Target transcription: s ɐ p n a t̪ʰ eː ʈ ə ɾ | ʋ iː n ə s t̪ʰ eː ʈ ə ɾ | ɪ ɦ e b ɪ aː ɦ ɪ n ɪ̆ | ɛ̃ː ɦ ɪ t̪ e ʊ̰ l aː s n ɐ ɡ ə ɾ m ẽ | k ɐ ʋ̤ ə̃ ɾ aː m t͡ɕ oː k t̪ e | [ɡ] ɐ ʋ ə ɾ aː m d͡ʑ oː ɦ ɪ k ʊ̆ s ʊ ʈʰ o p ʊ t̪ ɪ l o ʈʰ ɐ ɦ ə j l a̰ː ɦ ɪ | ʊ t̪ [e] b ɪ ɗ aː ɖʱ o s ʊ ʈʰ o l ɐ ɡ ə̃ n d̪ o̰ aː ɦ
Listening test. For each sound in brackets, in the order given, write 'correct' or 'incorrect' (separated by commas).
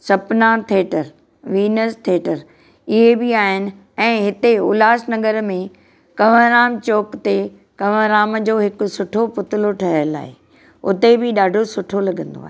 incorrect, correct